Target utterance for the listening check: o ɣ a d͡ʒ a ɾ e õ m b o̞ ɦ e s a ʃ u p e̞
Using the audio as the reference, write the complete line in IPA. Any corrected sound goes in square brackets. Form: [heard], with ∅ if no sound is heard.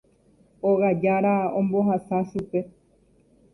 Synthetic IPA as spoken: o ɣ a d͡ʒ a ɾ [a] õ m b o̞ ɦ [a] s a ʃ u p e̞